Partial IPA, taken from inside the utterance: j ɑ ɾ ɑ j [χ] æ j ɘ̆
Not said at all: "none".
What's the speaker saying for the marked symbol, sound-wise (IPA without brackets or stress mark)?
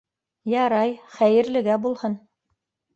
χ